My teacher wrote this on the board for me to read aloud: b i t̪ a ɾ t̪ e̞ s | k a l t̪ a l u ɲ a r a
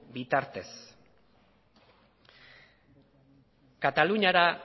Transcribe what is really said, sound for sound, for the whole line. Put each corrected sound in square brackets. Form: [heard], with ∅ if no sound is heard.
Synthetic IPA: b i t̪ a ɾ t̪ e̞ s | k a [∅] t̪ a l u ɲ a [ɾ] a